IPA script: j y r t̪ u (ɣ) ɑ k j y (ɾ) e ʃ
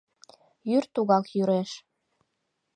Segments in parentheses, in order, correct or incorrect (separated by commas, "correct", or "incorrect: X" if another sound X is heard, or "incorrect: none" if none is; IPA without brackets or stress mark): correct, correct